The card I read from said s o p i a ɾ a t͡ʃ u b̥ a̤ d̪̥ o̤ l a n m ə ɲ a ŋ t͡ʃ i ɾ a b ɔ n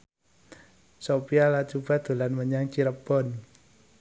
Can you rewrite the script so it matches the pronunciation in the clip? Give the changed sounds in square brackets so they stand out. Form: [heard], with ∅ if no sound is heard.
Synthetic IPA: s o p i a [l] a t͡ʃ u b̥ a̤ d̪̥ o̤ l a n m ə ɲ a ŋ t͡ʃ i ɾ [ə] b ɔ n